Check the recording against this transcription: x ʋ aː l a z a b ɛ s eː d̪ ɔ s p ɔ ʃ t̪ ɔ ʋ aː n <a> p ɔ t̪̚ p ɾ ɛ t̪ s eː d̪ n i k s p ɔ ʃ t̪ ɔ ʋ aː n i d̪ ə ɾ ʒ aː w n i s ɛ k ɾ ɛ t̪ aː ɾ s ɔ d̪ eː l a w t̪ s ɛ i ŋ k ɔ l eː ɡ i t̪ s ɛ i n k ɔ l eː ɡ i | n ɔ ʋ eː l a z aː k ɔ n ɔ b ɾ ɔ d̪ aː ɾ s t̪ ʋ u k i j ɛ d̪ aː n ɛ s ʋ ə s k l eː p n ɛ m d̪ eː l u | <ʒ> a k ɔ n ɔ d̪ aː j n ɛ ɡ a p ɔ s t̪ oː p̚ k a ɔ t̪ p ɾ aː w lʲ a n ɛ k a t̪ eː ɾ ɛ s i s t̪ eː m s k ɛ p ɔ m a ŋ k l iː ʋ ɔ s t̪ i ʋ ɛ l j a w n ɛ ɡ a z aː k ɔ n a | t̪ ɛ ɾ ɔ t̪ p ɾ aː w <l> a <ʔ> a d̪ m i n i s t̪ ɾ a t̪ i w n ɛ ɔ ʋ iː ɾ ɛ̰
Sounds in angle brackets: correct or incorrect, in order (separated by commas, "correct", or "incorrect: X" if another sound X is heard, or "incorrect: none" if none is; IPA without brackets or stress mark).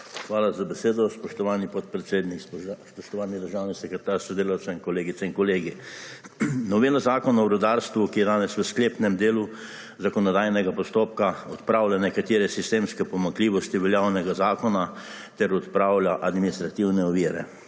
incorrect: i, incorrect: z, correct, correct